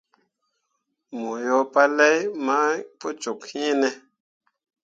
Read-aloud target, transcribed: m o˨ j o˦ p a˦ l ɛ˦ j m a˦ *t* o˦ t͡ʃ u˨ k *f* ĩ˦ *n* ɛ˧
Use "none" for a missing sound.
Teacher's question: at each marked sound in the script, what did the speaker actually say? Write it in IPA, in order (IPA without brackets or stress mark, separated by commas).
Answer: p, h, n